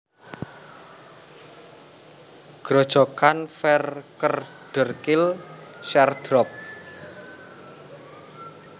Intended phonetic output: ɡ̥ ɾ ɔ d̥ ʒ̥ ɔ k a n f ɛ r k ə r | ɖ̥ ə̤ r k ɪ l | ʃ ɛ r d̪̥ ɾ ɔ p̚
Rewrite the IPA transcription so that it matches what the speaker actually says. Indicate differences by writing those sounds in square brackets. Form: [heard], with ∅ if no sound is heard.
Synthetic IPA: ɡ̥ ɾ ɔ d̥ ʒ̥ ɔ k a n f ɛ r k ə r | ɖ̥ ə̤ r k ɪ l | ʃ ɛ r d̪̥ ɾ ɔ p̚

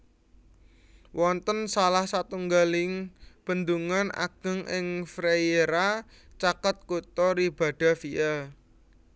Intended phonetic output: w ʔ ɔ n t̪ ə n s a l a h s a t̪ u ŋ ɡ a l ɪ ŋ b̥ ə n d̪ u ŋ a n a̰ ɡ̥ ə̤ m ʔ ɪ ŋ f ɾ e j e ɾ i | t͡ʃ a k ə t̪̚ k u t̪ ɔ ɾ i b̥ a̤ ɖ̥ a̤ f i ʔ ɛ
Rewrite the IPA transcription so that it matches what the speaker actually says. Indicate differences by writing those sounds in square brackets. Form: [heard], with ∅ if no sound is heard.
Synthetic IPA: w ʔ ɔ n t̪ ə n s a l a h s a t̪ u ŋ ɡ a l ɪ ŋ b̥ ə n d̪ u ŋ a n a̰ ɡ̥ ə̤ [ŋ] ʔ ɪ ŋ f ɾ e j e ɾ [a] | t͡ʃ a k ə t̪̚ k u t̪ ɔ ɾ i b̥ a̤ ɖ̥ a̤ f i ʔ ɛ

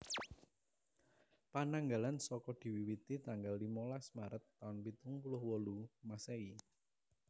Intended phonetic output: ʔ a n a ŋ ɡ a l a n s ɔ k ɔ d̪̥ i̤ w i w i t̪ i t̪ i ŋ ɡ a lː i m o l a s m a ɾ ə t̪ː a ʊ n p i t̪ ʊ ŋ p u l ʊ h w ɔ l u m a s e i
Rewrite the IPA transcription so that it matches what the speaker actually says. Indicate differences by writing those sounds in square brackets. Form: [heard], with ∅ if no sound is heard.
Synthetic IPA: [p] a n a ŋ ɡ a l a n s ɔ k ɔ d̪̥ i̤ w i w i t̪ i t̪ [a] ŋ ɡ a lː i m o l a s m a ɾ ə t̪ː a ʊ n p i t̪ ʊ ŋ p u l ʊ h w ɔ l u m a s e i

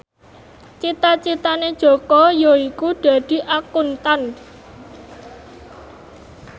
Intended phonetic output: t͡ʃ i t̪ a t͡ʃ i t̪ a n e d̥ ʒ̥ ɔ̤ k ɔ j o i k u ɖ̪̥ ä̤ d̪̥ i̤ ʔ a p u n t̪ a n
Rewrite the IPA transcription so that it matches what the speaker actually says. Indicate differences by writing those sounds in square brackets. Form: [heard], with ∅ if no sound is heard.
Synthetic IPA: t͡ʃ i t̪ a t͡ʃ i t̪ a n e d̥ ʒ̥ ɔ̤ k ɔ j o i k u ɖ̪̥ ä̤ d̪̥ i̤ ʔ a [k] u n t̪ a n

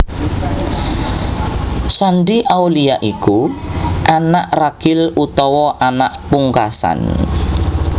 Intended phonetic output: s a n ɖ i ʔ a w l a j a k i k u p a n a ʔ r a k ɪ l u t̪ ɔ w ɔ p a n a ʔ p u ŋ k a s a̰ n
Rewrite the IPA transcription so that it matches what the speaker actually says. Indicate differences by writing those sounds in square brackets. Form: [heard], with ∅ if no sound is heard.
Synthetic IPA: s a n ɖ i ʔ a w l [i] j a [ʔ] i k u [ʔ] a n a ʔ r a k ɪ l u t̪ ɔ w ɔ [ʔ] a n a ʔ p u ŋ k a s a̰ n

